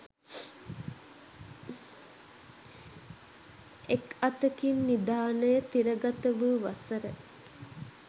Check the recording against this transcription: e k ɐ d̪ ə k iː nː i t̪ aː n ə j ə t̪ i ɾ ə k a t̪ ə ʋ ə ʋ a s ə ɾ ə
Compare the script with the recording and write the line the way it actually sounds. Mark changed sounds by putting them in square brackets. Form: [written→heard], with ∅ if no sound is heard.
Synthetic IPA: e k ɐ [d̪→t̪] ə k [iː→i] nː i [t̪→d̪] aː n ə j ə t̪ i ɾ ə [k→ɡ] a t̪ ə ʋ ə ʋ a s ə ɾ ə